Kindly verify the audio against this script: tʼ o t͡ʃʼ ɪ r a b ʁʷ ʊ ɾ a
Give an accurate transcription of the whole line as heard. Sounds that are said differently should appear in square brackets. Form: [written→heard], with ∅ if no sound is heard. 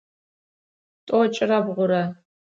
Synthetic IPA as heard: tʼ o t͡ʃʼ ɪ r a b ʁʷ ʊ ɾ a